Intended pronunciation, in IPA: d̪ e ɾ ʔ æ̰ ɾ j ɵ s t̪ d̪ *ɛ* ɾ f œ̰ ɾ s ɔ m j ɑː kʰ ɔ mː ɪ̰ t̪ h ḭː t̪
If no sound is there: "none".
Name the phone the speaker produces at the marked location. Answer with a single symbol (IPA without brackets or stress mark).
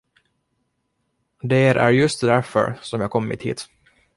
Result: æ